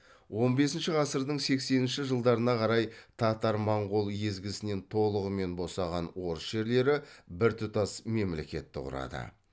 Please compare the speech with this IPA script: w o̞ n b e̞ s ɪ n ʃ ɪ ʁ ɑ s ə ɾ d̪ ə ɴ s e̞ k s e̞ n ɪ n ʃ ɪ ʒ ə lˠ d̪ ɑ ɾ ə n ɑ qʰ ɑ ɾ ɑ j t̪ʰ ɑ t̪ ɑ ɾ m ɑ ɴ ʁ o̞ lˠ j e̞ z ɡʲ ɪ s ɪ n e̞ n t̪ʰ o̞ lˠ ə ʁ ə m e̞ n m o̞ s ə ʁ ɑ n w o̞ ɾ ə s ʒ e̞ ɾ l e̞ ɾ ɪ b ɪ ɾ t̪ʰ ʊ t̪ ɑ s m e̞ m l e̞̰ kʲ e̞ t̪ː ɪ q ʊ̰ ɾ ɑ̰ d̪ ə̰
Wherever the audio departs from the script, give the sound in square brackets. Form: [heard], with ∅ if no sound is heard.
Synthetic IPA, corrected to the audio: w o̞ n b e̞ s ɪ n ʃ ɪ ʁ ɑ s ə ɾ d̪ ə ɴ s e̞ k s e̞ n ɪ n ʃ ɪ ʒ ə lˠ d̪ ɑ ɾ ə n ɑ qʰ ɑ ɾ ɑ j t̪ʰ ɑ t̪ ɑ ɾ m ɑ ɴ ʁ o̞ lˠ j e̞ z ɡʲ ɪ s ɪ n e̞ n t̪ʰ o̞ lˠ ə ʁ ə m e̞ n [b] o̞ s [ɑ] ʁ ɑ n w o̞ ɾ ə s ʒ e̞ ɾ l e̞ ɾ ɪ b ɪ ɾ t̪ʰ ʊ t̪ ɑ s m e̞ m l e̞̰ kʲ e̞ t̪ː ɪ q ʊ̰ ɾ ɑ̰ d̪ ə̰